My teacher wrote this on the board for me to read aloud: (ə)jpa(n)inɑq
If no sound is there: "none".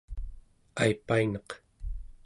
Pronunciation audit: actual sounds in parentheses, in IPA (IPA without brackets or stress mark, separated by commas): a, none